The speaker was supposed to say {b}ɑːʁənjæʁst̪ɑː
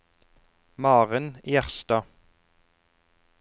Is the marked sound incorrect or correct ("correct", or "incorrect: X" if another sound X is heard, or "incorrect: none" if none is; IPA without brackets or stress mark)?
incorrect: m